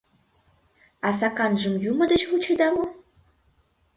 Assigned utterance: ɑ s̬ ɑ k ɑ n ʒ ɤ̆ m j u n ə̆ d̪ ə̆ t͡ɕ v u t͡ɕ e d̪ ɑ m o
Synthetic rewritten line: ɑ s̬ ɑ k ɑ n ʒ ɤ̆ m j u m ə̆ d̪ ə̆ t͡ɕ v u t͡ɕ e d̪ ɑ m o